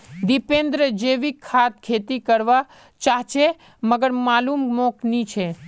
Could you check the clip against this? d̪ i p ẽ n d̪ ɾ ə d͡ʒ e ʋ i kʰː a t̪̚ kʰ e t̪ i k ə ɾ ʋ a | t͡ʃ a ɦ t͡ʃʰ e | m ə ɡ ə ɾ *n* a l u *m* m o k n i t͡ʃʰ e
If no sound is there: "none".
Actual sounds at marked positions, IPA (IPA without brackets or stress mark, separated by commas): m, m